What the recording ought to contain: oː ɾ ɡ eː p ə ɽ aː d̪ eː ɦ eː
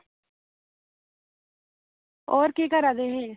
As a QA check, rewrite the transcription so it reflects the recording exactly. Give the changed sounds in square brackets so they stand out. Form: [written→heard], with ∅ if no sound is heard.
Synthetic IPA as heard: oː ɾ [ɡ→k] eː [p→k] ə [ɽ→ɾ] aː d̪ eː ɦ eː